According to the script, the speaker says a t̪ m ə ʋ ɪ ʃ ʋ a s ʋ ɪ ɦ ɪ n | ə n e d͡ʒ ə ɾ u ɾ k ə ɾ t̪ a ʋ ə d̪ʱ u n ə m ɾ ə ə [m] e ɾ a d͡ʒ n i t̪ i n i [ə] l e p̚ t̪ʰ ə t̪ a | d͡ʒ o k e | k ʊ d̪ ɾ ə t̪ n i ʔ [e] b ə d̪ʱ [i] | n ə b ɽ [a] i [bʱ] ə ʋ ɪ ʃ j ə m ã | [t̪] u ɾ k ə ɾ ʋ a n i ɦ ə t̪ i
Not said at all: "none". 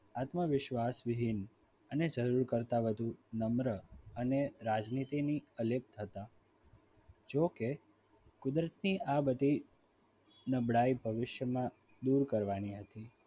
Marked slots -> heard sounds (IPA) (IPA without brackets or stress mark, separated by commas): n, ə, a, i, a, bʱ, d̪